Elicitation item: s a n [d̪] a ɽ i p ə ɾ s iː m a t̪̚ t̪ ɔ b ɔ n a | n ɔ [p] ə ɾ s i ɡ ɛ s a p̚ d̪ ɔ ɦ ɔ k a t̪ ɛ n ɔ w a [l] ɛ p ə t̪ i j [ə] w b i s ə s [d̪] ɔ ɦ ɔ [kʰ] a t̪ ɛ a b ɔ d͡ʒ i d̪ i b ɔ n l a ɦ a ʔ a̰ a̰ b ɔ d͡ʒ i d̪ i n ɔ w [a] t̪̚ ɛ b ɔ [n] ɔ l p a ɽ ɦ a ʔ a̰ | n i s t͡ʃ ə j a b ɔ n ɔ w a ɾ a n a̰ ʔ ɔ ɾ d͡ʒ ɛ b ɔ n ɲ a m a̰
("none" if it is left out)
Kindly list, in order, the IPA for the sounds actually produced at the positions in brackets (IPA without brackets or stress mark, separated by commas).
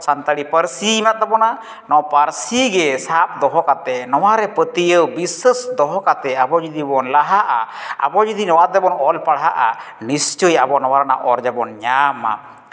t̪, p, ɾ, ə, d̪, k, a, n